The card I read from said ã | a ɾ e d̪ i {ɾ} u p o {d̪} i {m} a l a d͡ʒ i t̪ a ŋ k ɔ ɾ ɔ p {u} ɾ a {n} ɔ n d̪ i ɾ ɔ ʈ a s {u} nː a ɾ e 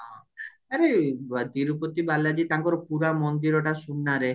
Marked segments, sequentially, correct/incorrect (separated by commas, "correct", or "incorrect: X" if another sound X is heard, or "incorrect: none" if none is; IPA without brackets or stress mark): correct, incorrect: t̪, incorrect: b, correct, incorrect: m, correct